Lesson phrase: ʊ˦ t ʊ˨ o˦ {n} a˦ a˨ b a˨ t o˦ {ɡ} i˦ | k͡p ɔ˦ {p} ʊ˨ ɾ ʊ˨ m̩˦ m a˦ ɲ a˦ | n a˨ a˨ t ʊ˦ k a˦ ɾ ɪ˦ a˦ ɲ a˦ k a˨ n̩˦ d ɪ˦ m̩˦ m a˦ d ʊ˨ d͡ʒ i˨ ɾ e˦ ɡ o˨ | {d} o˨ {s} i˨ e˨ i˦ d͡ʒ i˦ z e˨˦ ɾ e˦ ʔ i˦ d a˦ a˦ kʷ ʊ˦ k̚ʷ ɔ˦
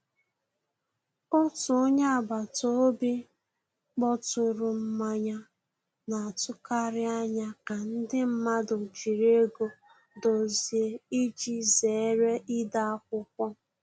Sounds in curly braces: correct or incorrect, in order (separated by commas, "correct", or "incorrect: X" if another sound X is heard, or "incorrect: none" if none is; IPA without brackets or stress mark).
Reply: incorrect: ɲ, incorrect: b, incorrect: t, correct, incorrect: z